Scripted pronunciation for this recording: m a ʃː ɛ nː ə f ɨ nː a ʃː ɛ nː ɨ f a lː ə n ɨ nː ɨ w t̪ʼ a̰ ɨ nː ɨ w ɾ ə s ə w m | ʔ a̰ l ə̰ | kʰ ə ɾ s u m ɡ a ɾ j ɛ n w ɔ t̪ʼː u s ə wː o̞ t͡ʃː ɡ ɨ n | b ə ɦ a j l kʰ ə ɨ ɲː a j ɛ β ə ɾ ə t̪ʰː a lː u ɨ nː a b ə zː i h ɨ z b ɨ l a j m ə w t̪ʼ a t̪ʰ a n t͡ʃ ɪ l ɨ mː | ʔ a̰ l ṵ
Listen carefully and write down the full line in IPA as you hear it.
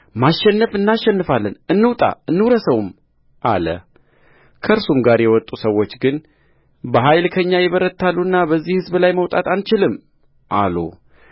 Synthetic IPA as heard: m a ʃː ɛ nː ə f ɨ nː a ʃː ɛ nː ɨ f a lː ə n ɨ nː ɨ w t̪ʼ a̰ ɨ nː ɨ w ɾ ə s ə w m | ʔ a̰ l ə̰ | kʰ ə ɾ s u m ɡ a ɾ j ɛ w ɔ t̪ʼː u s ə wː o̞ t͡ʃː ɡ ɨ n | b ə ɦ a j l kʰ ə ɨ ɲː a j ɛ β ə ɾ ə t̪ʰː a lː u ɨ nː a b ə zː i h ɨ z b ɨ l a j m ə w t̪ʼ a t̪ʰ a n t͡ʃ ɪ l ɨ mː | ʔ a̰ l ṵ